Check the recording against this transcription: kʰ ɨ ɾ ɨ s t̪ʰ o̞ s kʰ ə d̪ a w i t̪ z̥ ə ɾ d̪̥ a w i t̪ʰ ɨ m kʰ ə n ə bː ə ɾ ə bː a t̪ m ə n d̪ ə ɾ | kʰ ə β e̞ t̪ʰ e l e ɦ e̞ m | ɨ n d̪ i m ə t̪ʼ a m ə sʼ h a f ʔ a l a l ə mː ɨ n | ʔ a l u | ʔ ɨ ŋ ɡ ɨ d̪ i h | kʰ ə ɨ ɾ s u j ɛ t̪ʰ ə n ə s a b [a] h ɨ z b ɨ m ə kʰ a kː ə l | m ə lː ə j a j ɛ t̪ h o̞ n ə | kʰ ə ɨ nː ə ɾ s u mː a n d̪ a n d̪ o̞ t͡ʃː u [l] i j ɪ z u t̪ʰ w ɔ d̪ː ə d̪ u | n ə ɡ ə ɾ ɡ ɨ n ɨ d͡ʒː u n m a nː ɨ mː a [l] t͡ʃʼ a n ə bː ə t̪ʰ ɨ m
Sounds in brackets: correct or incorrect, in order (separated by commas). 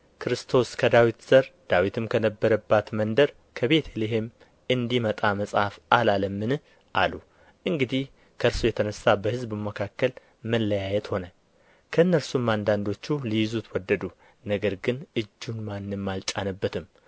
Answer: incorrect, correct, correct